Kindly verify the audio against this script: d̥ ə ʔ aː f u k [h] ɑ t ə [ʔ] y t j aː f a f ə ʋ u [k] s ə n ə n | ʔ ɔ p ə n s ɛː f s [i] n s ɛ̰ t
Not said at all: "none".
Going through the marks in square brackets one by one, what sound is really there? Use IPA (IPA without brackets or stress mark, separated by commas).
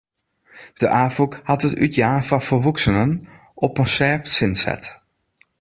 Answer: h, t, k, ɪ